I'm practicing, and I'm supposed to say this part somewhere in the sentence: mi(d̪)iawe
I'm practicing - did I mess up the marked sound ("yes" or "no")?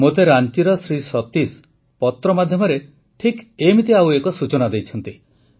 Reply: yes